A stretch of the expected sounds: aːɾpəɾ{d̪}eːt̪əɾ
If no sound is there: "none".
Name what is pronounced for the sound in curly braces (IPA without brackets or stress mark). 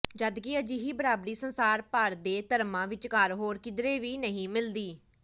d̪